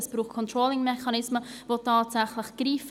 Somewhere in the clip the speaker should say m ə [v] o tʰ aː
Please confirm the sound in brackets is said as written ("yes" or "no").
yes